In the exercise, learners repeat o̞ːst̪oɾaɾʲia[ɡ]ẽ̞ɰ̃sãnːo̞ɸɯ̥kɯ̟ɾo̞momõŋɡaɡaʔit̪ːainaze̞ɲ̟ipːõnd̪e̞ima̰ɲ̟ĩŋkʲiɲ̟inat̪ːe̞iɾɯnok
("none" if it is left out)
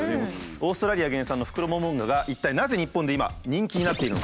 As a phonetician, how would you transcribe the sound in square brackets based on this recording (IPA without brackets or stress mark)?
ɡ